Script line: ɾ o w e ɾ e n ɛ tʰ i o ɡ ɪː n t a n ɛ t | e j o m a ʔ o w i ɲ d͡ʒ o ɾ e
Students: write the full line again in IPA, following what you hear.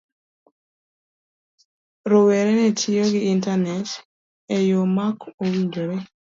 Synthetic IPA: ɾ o w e ɾ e n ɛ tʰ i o ɡ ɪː n t a n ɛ t | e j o m a k o w i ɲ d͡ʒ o ɾ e

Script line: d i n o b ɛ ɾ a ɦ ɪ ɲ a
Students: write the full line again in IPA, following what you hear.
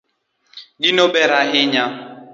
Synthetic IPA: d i n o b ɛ ɾ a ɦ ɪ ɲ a

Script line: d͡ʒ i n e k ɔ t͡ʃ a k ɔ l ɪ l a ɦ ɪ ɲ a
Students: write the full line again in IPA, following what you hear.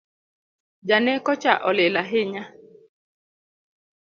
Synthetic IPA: d͡ʒ a n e k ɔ t͡ʃ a ʔ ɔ l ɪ l a ɦ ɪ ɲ a

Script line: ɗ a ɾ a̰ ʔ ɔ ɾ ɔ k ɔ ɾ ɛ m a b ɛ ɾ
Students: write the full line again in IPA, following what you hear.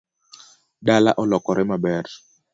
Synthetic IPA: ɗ a l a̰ ʔ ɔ l ɔ k ɔ ɾ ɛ m a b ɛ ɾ

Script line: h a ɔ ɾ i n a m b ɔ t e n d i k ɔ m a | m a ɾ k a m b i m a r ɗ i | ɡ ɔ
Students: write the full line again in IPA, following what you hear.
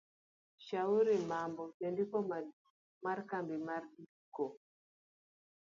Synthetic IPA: ʃ a u ɾ i m a m b ɔ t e n d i k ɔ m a | m a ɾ k a m b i m a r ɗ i | k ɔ

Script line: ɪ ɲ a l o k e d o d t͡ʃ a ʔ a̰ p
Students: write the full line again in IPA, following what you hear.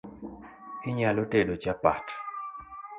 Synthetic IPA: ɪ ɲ a l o t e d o t͡ʃ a p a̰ t

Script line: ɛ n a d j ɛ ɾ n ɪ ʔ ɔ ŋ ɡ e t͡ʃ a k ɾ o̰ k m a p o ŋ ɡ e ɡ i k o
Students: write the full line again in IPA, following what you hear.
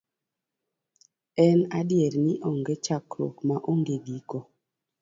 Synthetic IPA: ɛ n a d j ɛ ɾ n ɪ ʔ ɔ ŋ ɡ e t͡ʃ a k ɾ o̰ k m a ʔ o ŋ ɡ e ɡ i k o

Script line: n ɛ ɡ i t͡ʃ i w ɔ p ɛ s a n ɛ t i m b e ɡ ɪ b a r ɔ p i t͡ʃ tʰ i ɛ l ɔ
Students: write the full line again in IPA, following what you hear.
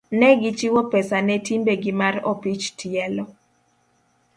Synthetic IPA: n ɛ ɡ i t͡ʃ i w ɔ p ɛ s a n ɛ t i m b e ɡ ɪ m a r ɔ p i t͡ʃ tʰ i ɛ l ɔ

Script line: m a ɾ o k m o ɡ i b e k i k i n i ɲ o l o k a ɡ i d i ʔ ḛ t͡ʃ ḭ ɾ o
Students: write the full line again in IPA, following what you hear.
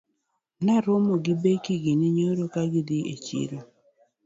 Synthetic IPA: n a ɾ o m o ɡ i b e k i ɡ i n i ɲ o ɾ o k a ɡ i d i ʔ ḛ t͡ʃ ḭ ɾ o

